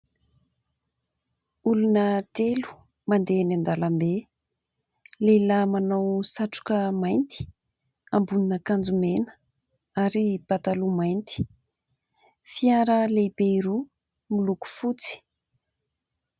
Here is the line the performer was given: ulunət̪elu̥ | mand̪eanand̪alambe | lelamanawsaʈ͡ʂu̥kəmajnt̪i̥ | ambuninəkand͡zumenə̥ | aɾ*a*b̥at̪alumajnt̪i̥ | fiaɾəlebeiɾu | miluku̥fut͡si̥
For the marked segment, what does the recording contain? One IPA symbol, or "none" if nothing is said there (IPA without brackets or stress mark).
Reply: i